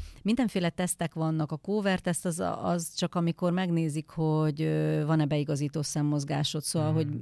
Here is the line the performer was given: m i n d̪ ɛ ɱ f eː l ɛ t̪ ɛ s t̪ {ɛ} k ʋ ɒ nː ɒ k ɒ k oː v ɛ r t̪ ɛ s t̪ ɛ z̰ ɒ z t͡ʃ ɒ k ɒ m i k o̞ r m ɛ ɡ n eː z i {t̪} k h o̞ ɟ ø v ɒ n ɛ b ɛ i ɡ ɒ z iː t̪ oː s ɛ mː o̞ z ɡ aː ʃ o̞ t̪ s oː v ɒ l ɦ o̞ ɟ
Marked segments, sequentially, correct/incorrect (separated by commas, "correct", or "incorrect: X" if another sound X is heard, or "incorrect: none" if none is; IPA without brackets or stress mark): correct, incorrect: none